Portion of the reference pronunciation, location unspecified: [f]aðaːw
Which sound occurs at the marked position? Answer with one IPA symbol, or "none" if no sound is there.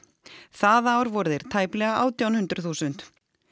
θ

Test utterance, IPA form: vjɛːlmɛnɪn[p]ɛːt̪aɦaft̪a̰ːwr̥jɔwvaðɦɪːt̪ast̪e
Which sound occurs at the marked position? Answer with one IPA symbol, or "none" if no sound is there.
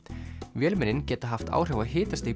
c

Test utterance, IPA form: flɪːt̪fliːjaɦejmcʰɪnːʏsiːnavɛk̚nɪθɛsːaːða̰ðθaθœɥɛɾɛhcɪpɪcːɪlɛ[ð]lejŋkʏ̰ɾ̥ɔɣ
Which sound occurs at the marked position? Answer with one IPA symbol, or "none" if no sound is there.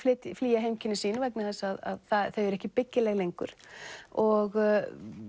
ɣ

